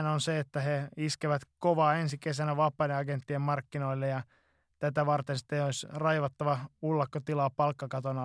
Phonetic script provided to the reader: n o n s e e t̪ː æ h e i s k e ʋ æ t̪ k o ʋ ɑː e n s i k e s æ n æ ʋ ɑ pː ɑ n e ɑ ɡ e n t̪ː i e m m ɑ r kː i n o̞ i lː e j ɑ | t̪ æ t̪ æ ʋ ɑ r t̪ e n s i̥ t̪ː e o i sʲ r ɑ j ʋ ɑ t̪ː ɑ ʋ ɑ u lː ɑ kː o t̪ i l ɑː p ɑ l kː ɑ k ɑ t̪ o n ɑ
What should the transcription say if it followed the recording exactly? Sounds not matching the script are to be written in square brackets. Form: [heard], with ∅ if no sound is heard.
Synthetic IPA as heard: n o n s e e t̪ː æ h e i s k e ʋ æ t̪ k o ʋ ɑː e n s i k e s æ n æ ʋ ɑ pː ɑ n e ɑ ɡ e n t̪ː i e m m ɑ r kː i n o̞ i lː e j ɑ | t̪ æ t̪ æ ʋ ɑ r t̪ e n s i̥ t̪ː e o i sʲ r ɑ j ʋ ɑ t̪ː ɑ ʋ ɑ u lː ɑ kː o t̪ i l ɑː p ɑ l kː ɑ k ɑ t̪ o n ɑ